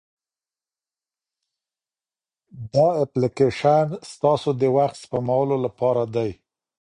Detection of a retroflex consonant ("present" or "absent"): absent